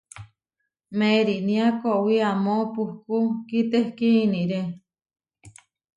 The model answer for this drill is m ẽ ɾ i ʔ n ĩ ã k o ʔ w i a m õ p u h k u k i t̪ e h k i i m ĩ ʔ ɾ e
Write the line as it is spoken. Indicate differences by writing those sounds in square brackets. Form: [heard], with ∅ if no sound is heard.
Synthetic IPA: m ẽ ɾ i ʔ n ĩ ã k o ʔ w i a m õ p u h k u k i t̪ e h k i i [n] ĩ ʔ ɾ e